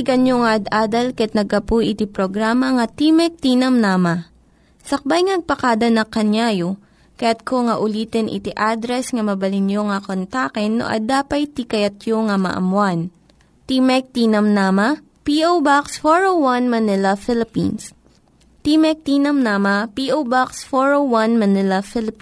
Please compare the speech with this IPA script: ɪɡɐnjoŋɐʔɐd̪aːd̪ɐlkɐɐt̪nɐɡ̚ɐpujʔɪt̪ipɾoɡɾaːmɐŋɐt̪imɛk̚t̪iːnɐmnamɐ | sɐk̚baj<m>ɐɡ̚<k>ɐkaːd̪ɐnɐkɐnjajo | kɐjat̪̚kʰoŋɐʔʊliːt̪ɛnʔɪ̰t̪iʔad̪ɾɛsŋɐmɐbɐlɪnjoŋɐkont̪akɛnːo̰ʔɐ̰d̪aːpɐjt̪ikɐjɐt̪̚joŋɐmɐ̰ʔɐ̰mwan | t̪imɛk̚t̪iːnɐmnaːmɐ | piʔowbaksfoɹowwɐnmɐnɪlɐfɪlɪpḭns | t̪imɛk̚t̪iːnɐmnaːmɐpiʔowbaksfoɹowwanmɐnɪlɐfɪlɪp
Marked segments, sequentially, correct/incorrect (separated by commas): incorrect, incorrect